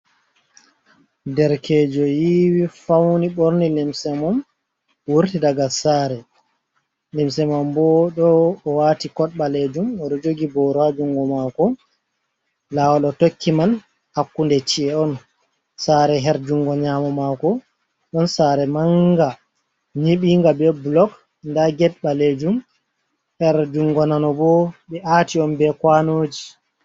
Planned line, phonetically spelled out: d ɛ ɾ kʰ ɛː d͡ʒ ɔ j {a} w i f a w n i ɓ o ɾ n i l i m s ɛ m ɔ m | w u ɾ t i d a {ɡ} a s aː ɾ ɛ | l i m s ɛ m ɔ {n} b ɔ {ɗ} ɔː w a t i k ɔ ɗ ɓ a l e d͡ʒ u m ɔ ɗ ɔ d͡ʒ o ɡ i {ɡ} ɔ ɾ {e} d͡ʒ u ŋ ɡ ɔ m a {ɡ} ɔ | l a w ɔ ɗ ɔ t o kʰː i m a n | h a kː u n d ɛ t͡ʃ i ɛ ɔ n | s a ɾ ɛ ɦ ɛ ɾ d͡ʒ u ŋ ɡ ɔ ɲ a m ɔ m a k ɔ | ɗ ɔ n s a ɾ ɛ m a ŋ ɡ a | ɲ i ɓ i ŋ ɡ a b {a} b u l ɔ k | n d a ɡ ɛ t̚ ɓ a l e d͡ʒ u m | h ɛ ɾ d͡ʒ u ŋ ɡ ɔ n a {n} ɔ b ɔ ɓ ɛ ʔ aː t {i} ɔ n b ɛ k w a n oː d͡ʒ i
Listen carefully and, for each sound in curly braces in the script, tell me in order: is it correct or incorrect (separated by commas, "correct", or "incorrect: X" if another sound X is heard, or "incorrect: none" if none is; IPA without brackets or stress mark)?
incorrect: i, correct, incorrect: m, correct, incorrect: b, incorrect: a, incorrect: k, incorrect: ɛ, correct, correct